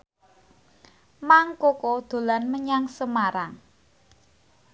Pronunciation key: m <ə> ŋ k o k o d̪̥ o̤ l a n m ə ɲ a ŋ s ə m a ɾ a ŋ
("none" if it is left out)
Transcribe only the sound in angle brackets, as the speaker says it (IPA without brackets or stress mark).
a